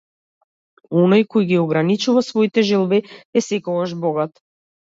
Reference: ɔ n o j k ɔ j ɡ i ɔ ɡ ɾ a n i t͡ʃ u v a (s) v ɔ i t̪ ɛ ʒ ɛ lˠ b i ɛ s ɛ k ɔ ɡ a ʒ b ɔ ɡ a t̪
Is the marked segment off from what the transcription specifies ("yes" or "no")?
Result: no